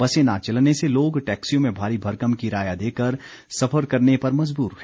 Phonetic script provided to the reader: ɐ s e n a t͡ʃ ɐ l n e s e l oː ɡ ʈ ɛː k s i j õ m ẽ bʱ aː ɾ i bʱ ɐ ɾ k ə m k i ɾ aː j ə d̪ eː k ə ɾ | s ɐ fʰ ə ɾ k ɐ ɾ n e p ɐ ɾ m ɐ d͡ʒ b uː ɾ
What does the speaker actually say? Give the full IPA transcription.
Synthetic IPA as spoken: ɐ s e n a t͡ʃ ɐ l n e s e l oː ɡ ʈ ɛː k s i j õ m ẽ bʱ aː ɾ i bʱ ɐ ɾ k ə m k i ɾ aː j a d̪ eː k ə ɾ | s ɐ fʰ ə ɾ k ɐ ɾ n e p ɐ ɾ m ɐ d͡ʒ b uː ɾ

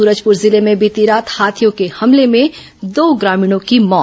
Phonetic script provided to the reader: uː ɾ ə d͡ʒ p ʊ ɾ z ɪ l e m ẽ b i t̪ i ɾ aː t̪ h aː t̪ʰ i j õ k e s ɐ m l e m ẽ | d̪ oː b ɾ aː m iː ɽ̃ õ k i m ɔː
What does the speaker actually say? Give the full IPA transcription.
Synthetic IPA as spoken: uː ɾ ə d͡ʒ p ʊ ɾ z ɪ l e m ẽ b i t̪ i ɾ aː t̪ h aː t̪ʰ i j õ k e h ɐ m l e m ẽ | d̪ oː ɡ ɾ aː m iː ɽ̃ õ k i m ɔː

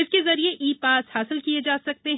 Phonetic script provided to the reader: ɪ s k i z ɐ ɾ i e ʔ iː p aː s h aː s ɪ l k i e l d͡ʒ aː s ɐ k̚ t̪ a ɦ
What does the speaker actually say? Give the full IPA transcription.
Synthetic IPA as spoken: ɪ s k e z ɐ ɾ i e ʔ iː p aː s h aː s ɪ l k i e d͡ʒ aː s ɐ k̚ t̪ e ɦ

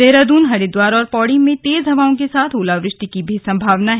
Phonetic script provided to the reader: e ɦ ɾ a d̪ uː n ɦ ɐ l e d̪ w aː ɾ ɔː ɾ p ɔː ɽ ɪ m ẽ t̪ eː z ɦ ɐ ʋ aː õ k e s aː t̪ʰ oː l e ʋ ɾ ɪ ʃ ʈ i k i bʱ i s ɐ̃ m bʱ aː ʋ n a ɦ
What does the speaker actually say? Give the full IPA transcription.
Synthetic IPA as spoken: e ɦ ɾ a d̪ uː n ɦ ɐ ɽ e d̪ w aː ɾ ɔː ɾ p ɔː ɽ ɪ m ẽ t̪ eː z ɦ ɐ ʋ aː õ k e s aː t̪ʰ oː l a ʋ ɾ ɪ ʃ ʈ i k i bʱ i s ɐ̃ m bʱ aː ʋ n a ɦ

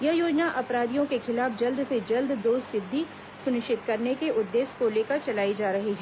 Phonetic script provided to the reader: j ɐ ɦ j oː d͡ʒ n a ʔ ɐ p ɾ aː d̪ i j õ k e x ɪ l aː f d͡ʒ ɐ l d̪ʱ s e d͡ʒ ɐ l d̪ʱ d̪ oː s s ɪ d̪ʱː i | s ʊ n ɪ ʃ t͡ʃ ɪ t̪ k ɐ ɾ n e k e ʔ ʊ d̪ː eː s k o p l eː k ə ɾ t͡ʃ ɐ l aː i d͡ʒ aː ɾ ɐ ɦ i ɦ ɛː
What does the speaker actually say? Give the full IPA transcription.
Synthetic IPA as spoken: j ɐ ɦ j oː d͡ʒ n a ʔ ɐ p ɾ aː d̪ i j õ k e x ɪ l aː f d͡ʒ ɐ l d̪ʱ s e d͡ʒ ɐ l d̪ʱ d̪ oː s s ɪ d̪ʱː i | s ʊ n ɪ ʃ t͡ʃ ɪ t̪ k ɐ ɾ n e k e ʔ ʊ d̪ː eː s k o l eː k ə ɾ t͡ʃ ɐ l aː i d͡ʒ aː ɾ ɐ ɦ i ɦ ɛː

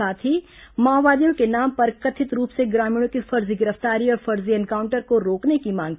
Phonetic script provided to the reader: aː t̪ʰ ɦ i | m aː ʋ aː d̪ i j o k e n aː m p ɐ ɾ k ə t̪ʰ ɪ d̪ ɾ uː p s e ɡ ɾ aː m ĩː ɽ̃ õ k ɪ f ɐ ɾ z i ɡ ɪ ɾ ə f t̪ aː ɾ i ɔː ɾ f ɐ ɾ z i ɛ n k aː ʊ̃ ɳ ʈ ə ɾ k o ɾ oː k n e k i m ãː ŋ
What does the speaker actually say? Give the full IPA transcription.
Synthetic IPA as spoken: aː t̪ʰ ɦ i | m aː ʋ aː d̪ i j õ k e n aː m p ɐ ɾ k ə t̪ʰ ɪ t̪ ɾ uː p s e ɡ ɾ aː m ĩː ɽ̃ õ k i f ɐ ɾ z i ɡ ɪ ɾ ə f t̪ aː ɾ i ɔː ɾ f ɐ ɾ z i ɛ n k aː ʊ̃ ɳ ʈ ə ɾ k o ɾ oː k n e k i m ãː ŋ

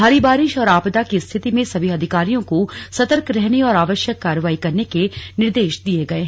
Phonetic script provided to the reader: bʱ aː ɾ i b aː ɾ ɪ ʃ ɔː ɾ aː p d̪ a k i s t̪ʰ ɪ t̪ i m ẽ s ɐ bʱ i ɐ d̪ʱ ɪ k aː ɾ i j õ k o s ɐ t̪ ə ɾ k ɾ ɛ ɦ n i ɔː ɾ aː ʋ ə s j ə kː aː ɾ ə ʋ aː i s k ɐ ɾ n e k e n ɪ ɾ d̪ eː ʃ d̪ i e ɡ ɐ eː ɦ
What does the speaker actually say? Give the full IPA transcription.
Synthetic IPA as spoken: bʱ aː ɾ i b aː ɾ ɪ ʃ ɔː ɾ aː p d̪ a k i s t̪ʰ ɪ t̪ i m ẽ s ɐ bʱ i ɐ d̪ʱ ɪ k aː ɾ i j õ k o s ɐ t̪ ə ɾ k ɾ ɛ ɦ n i ɔː ɾ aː ʋ ə ʃ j ə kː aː ɾ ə ʋ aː i k ɐ ɾ n e k e n ɪ ɾ d̪ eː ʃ d̪ i e ɡ ɐ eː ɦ

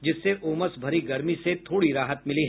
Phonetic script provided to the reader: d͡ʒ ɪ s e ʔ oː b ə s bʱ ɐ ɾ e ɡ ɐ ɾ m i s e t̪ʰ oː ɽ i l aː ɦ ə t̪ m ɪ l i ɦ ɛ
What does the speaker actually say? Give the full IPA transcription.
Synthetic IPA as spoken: d͡ʒ ɪ sː e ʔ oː m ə s bʱ ɐ ɾ i ɡ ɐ ɾ m i s e t̪ʰ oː ɽ i ɾ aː ɦ ə t̪ m ɪ l i ɦ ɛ

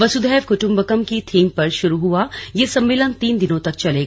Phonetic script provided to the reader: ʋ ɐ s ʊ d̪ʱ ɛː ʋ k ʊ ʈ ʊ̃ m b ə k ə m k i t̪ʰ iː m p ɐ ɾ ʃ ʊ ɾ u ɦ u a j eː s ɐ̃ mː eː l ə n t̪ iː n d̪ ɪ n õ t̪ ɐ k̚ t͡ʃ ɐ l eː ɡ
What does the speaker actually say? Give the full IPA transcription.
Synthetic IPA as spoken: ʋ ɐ s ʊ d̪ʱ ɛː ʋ k ʊ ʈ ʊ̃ m b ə k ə m k i t̪ʰ iː m p ɐ ɾ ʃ ʊ ɾ u ɦ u a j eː s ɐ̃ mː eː l ə n t̪ iː n d̪ ɪ n õ t̪ ɐ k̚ t͡ʃ ɐ l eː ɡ

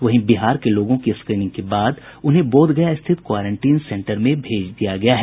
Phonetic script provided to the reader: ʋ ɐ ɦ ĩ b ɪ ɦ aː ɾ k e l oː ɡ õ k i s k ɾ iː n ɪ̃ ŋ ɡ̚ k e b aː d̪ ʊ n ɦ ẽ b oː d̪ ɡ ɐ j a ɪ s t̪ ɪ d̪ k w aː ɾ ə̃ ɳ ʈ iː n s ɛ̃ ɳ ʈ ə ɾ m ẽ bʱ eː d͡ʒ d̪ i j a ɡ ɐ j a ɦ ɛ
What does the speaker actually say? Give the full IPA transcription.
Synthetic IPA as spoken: ʋ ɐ ɦ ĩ b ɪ ɦ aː ɾ k e l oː ɡ õ k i s k ɾ iː n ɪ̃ ŋ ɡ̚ k e b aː d̪ ʊ n ɦ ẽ b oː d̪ ɡ ɐ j a ɪ s t̪ʰ ɪ t̪ k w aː ɾ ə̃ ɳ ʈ iː n s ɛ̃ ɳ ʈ ə ɾ m ẽ bʱ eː d͡ʒ d̪ i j a ɡ ɐ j a ɦ ɛ

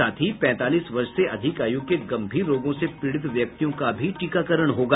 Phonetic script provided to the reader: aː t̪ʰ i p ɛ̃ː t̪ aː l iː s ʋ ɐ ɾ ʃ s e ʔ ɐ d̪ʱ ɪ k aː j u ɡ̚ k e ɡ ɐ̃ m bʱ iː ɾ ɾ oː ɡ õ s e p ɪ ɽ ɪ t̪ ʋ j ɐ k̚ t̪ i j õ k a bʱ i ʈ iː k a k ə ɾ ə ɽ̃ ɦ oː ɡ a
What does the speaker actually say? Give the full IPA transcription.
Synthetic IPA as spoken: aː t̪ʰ i p ɛ̃ː t̪ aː l iː s ʋ ɐ ɾ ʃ s e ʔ ɐ d̪ʱ ɪ k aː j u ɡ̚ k e ɡ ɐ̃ m bʱ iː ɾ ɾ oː ɡ õ s e p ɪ ɽ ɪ t̪ ʋ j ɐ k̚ t̪ i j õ k a bʱ i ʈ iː k a k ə ɾ ə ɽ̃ ɦ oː ɡ a

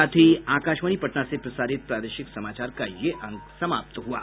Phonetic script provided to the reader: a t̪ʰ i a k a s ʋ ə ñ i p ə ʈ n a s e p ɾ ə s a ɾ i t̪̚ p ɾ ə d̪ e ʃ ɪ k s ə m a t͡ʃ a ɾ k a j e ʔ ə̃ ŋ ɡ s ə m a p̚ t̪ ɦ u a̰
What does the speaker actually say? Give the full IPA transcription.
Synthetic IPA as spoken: a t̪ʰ i a k a ʃ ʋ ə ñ i p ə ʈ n a s e p ɾ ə s a ɾ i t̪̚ p ɾ a d̪ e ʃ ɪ k s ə m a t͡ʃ a ɾ k a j e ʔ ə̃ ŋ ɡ s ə m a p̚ t̪ ɦ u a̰

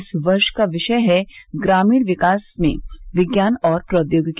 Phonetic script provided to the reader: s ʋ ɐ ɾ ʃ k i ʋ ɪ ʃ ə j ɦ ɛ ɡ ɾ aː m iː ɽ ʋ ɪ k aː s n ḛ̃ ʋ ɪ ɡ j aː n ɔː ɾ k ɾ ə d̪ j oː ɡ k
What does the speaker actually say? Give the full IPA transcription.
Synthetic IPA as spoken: s ʋ ɐ ɾ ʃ k a ʋ ɪ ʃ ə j ɦ ɛ ɡ ɾ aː m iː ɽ ʋ ɪ k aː s m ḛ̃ ʋ ɪ ɡ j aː n ɔː ɾ p ɾ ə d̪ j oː ɡ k

